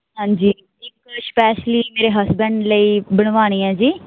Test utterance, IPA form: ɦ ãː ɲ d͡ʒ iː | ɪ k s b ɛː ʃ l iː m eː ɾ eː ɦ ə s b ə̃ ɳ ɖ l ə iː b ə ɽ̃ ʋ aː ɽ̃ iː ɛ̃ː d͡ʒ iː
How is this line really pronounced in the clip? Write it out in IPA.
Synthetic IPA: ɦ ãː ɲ d͡ʒ iː | ɪ k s p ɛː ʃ l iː m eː ɾ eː ɦ ə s b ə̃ ɳ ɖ l ə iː b ə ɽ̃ ʋ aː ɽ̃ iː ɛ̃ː d͡ʒ iː